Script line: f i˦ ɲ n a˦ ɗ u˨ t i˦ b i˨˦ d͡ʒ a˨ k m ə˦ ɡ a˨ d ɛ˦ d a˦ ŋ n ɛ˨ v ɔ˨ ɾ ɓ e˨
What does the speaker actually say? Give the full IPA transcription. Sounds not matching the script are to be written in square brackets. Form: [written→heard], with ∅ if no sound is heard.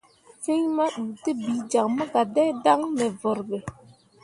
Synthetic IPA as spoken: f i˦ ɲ [n→m] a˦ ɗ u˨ t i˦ b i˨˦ d͡ʒ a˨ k m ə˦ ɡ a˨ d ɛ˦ d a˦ ŋ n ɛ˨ v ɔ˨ ɾ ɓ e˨